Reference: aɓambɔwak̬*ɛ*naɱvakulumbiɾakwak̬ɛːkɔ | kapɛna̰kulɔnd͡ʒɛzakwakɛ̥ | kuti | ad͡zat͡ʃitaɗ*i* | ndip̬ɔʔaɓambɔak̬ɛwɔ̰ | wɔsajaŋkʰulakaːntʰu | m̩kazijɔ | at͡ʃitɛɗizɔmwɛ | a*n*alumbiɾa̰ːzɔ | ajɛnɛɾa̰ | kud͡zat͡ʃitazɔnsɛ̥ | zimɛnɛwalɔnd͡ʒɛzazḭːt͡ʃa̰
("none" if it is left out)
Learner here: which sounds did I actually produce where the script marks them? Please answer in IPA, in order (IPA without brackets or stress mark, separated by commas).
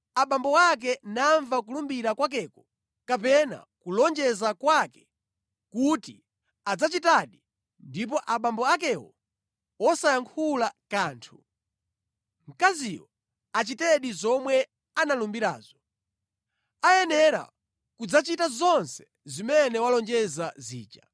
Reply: ɛ, i, n